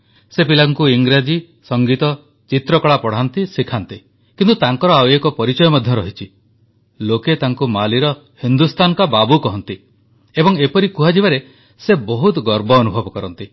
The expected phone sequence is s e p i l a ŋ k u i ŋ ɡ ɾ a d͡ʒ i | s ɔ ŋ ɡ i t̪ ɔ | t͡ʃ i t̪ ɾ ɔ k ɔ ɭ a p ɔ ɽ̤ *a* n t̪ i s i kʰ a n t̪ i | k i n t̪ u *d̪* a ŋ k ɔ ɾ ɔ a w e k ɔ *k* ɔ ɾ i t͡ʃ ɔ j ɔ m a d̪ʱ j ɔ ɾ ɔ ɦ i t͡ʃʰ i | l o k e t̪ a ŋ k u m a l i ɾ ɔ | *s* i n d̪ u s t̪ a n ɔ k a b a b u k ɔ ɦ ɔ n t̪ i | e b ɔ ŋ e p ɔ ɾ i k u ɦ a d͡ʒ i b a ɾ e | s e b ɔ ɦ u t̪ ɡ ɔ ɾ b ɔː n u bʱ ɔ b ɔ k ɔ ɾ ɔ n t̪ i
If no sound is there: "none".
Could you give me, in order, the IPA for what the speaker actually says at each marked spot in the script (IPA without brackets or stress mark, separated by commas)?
a, t̪, p, h